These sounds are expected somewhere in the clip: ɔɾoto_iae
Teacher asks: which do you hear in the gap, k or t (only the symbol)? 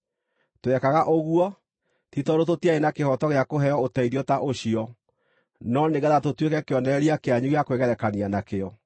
t